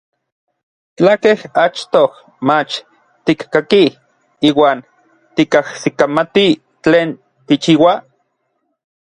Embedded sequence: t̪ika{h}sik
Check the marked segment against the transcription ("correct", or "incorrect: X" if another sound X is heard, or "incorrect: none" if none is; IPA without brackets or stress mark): correct